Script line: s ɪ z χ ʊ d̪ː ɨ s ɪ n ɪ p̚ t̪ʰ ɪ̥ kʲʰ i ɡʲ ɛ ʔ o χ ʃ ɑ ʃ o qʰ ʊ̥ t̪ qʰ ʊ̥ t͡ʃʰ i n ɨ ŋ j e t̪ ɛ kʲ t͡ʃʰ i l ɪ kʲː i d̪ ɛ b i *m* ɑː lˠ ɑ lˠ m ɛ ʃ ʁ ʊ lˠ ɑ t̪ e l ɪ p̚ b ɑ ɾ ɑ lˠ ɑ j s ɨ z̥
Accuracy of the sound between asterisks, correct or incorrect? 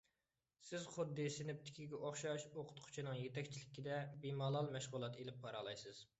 correct